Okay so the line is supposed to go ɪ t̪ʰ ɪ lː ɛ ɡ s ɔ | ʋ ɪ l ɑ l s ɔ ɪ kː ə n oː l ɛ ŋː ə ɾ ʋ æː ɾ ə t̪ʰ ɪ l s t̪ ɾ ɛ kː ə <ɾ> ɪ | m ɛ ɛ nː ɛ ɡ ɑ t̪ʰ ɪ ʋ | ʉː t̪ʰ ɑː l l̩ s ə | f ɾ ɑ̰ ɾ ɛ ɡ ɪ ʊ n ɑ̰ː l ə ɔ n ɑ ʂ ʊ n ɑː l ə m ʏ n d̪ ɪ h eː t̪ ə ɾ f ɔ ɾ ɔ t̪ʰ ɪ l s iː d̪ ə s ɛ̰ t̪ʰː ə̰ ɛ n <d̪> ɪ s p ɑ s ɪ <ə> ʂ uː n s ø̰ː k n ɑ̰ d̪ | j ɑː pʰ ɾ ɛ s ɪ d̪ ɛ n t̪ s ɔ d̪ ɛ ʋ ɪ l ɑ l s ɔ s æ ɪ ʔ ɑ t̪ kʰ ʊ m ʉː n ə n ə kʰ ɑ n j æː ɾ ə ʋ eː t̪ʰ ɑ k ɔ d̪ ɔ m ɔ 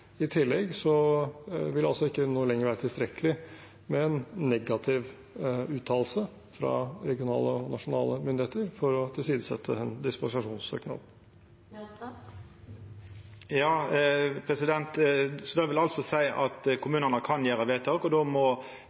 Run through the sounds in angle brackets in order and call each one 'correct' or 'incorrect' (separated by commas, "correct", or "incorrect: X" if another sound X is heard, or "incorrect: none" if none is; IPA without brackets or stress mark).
incorrect: l, correct, incorrect: ɑ